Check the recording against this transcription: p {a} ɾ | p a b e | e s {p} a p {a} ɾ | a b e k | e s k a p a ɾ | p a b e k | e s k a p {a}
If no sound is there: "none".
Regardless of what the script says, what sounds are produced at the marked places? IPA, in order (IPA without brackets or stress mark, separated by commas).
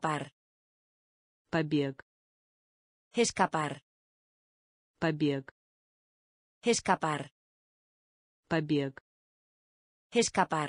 a, k, a, a